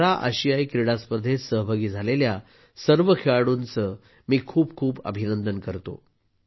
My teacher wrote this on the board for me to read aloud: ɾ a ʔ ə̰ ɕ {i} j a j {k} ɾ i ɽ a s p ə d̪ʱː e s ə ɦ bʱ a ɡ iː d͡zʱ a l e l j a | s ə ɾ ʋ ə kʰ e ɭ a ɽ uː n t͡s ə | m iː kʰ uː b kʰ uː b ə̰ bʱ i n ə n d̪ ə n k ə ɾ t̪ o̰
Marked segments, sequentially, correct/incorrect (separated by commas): correct, correct